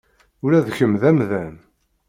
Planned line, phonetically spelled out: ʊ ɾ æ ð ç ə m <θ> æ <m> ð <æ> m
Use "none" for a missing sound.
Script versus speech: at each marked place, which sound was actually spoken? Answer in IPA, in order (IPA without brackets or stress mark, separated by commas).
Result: ð, m, æ